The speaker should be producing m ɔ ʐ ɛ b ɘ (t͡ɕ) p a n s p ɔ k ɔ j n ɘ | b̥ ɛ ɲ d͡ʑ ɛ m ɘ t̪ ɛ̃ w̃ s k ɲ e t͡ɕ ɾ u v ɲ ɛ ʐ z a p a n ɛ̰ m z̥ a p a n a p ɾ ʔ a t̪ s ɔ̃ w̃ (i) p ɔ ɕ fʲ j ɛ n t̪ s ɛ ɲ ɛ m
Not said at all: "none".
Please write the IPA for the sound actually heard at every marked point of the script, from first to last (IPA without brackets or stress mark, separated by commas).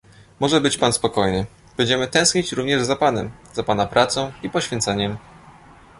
t͡ɕ, i